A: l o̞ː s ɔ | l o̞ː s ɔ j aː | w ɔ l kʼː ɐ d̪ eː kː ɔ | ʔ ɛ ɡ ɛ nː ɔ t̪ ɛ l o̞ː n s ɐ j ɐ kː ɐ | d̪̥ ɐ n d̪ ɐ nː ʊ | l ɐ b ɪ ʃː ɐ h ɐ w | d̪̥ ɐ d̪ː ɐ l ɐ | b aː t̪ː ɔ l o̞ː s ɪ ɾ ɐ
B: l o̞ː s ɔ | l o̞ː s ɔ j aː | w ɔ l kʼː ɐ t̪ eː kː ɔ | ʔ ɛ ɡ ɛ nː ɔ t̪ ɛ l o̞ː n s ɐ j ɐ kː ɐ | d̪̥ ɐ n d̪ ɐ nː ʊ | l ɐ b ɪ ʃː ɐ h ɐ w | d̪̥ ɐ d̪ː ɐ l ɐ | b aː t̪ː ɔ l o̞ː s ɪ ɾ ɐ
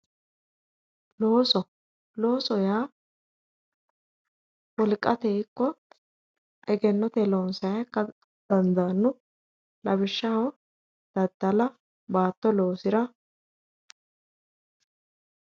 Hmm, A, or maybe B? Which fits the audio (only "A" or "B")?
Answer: B